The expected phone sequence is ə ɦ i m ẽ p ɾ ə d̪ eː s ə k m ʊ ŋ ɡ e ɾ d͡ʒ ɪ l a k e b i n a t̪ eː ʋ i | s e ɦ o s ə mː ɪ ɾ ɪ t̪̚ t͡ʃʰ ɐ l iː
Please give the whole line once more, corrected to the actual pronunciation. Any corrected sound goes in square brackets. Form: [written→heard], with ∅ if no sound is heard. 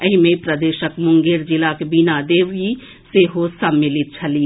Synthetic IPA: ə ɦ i m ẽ p ɾ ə d̪ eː [s→ʃ] ə k m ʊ ŋ ɡ e ɾ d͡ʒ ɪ l a k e b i n a [t̪→d̪] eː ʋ i | s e ɦ o s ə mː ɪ [ɾ→l] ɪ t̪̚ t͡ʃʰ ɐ l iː